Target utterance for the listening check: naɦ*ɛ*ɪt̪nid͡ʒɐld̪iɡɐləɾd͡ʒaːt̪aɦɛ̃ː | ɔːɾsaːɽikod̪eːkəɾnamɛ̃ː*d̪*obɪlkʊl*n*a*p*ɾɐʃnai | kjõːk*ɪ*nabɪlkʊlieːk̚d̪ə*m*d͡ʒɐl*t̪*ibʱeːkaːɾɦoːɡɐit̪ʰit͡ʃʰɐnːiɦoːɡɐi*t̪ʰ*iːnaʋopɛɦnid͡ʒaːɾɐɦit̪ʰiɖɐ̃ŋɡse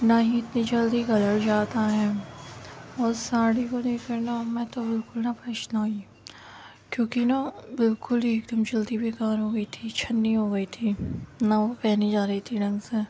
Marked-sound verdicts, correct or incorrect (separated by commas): incorrect, incorrect, correct, correct, incorrect, correct, incorrect, correct